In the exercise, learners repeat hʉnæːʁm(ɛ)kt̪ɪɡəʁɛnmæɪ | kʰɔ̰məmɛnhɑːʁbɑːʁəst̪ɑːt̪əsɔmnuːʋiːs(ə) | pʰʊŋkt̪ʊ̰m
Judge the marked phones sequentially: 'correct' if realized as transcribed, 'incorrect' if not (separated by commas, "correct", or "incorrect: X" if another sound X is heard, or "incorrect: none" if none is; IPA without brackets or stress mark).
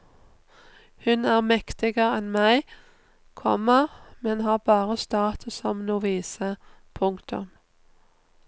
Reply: correct, correct